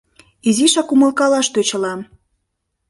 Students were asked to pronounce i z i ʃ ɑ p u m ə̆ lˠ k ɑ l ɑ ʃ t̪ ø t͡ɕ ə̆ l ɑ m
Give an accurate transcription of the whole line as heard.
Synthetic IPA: i z i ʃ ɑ k u m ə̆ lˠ k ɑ l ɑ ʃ t̪ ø t͡ɕ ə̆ l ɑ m